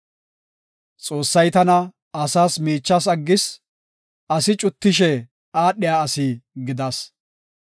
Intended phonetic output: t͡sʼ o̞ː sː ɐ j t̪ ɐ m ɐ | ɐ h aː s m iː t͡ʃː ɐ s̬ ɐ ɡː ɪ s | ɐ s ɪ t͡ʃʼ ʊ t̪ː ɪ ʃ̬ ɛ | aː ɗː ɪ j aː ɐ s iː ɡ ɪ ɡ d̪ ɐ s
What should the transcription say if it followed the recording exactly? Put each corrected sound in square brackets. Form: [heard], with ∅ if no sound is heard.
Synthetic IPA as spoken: t͡sʼ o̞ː sː ɐ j t̪ ɐ [n] ɐ | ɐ [s] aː s m iː t͡ʃː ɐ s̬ ɐ ɡː ɪ s | ɐ s ɪ t͡ʃʼ ʊ t̪ː ɪ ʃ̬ ɛ | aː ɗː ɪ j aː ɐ s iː ɡ ɪ [∅] d̪ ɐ s